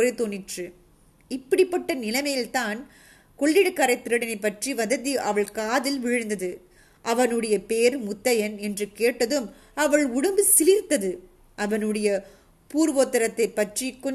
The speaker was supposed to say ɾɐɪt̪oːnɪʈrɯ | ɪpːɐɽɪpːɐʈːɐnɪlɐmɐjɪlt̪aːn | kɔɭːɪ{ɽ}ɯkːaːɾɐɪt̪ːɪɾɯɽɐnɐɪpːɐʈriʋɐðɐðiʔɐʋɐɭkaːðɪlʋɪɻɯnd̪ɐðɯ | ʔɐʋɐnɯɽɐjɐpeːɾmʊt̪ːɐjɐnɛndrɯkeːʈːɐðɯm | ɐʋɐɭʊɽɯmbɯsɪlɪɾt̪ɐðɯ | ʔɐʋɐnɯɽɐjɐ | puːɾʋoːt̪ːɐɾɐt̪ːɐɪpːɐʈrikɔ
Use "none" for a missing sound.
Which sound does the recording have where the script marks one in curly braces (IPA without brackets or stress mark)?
ɽ